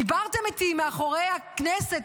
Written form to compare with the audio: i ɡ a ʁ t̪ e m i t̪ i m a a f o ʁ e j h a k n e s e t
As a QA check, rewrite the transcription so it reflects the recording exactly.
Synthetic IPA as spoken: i b a ʁ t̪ e m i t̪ i m e a χ o ʁ e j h a k n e s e t